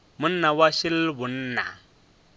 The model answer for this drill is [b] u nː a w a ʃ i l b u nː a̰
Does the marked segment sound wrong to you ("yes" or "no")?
yes